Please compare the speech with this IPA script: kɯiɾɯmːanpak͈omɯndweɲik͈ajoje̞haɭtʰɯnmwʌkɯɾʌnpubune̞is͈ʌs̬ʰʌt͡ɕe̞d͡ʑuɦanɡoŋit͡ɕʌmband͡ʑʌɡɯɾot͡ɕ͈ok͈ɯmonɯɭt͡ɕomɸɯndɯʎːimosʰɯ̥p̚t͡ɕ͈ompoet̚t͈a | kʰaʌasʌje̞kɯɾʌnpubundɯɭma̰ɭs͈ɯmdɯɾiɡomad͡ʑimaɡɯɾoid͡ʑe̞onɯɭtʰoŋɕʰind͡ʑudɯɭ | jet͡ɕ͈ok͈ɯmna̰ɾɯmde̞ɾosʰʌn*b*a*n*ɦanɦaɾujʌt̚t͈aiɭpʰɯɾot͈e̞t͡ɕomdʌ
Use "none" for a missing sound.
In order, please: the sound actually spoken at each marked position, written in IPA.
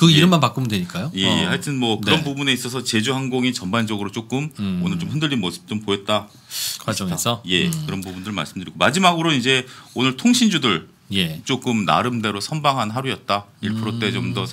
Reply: b, ŋ

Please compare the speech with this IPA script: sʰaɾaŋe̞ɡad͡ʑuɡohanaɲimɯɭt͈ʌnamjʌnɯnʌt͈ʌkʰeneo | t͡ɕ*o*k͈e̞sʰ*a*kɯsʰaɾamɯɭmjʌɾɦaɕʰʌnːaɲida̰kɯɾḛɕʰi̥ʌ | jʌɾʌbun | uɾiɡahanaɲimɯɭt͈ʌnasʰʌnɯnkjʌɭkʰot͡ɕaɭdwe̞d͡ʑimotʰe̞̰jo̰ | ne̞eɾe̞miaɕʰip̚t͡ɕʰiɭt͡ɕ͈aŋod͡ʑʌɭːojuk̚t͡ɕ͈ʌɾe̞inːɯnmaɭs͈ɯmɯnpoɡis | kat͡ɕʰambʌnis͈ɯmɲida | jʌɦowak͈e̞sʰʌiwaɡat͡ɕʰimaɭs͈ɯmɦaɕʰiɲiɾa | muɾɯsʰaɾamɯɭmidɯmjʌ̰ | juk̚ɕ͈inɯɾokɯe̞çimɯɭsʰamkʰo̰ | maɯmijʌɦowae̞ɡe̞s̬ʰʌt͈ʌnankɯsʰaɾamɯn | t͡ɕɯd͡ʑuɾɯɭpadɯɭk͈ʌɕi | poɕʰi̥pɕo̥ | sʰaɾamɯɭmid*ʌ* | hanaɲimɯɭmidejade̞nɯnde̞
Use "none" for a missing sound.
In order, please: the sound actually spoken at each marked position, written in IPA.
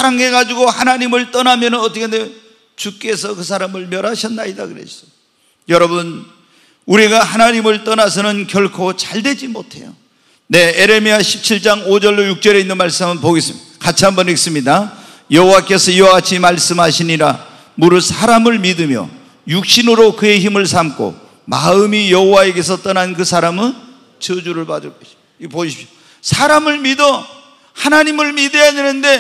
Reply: u, ʌ, ʌ

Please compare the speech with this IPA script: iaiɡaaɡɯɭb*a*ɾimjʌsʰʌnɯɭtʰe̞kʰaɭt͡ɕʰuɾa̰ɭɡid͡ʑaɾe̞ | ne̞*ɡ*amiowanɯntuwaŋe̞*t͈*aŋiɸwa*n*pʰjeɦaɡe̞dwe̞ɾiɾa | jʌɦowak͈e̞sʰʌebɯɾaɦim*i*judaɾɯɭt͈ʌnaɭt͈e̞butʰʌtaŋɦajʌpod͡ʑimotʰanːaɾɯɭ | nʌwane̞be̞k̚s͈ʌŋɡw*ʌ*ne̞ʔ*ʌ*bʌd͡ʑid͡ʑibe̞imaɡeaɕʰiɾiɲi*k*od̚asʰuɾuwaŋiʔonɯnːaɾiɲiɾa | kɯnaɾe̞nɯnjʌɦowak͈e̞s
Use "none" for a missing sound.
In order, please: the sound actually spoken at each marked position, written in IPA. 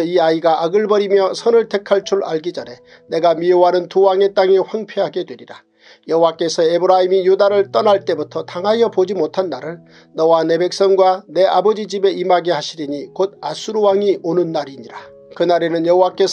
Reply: ʌ, ɡ, t͈, ŋ, i, a, a, k

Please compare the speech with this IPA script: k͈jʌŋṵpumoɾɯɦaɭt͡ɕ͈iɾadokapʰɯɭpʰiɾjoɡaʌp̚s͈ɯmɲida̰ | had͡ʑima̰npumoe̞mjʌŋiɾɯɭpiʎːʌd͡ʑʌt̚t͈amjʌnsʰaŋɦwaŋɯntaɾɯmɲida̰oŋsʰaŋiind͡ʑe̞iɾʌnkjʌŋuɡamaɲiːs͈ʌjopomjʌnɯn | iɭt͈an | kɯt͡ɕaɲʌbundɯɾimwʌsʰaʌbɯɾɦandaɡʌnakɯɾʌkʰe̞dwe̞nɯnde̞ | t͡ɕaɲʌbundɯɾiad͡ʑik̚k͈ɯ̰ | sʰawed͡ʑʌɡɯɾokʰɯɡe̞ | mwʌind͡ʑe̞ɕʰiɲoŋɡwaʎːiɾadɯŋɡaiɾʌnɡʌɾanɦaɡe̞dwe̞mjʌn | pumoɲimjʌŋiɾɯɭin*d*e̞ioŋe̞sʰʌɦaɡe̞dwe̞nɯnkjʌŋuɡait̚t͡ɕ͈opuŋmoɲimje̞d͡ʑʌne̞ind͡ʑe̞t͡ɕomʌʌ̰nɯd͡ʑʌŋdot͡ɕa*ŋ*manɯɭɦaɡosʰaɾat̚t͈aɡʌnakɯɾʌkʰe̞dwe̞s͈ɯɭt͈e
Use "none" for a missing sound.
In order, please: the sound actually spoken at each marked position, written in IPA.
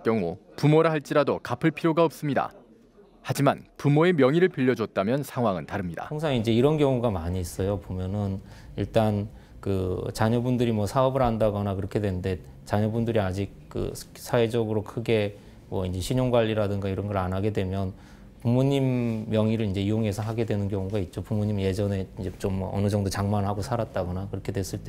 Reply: d͡ʑ, ŋ

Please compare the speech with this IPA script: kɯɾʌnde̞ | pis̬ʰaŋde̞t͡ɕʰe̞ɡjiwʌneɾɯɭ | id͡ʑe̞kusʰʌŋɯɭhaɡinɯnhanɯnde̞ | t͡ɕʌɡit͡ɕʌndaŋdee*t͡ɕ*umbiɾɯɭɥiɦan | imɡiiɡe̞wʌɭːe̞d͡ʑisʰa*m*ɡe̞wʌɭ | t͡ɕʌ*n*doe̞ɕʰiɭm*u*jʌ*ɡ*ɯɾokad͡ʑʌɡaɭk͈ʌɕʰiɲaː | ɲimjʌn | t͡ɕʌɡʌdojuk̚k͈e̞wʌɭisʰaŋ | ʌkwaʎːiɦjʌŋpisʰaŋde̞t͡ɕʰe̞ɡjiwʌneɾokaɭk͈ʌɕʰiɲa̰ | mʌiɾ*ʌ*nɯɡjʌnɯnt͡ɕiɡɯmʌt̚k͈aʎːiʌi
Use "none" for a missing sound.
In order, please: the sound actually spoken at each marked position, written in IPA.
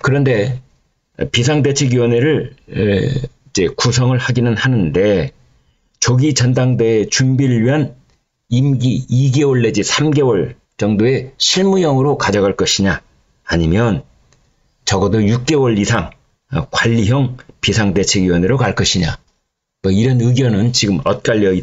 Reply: t͡ɕ, m, ŋ, u, ŋ, ʌ

